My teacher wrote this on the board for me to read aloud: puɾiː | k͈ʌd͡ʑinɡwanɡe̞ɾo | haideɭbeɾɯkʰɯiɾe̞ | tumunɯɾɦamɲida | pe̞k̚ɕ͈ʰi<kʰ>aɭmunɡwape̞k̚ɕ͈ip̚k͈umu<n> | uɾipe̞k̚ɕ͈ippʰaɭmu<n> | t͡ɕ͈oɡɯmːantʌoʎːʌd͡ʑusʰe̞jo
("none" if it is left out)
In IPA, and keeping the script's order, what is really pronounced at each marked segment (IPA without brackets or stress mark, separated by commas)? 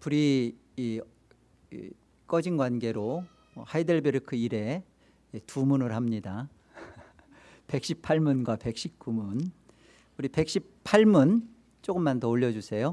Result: pʰ, n, n